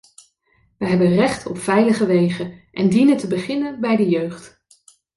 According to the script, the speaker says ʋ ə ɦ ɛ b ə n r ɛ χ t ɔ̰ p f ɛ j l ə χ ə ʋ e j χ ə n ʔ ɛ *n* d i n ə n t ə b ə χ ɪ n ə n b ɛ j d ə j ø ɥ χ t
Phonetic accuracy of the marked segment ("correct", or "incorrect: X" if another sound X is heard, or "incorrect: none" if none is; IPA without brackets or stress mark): correct